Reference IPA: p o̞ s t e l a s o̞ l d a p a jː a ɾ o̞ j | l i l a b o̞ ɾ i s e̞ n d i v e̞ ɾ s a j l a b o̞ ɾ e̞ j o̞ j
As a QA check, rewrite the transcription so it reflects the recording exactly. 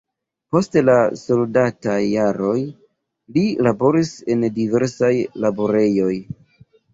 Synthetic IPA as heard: p o̞ s t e l a s o̞ l d a t a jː a ɾ o̞ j | l i l a b o̞ ɾ i s e̞ n d i v e̞ ɾ s a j l a b o̞ ɾ e̞ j o̞ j